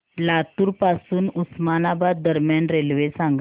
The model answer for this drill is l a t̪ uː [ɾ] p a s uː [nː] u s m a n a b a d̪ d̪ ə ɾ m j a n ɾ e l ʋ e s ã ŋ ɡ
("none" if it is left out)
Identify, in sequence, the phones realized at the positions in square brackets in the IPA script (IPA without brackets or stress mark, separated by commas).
ɾ, n